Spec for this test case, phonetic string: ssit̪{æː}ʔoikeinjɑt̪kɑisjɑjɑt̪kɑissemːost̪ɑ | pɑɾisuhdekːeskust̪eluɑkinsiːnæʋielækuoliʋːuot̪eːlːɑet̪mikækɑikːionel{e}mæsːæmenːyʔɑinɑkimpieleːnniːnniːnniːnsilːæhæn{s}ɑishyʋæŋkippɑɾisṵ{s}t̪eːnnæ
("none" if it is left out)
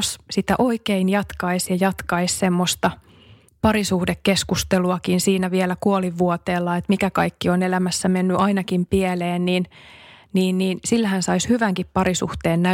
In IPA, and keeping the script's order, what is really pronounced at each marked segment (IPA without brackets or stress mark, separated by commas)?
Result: æ, æ, s, h